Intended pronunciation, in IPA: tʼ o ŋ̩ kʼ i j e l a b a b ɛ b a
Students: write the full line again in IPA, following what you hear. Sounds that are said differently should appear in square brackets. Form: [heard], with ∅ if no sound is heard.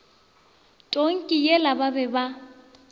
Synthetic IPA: tʼ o ŋ̩ kʼ i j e l a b a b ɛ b a